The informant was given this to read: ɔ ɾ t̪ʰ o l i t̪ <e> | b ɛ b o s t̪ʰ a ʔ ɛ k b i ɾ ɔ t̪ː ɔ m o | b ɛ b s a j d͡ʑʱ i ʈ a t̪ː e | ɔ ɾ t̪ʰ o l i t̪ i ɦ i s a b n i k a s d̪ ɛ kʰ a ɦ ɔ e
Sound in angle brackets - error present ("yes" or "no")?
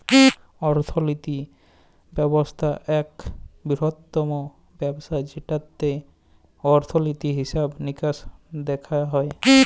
yes